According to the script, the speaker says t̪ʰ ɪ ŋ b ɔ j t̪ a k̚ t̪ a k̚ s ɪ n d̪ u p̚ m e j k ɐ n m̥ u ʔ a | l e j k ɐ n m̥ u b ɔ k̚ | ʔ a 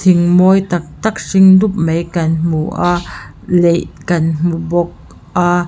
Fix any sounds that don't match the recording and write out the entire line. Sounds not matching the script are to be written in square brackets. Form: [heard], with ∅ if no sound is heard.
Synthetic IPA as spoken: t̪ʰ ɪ ŋ [m] ɔ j t̪ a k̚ t̪ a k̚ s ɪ [ŋ] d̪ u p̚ m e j k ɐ n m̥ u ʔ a | l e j k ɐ n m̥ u b ɔ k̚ | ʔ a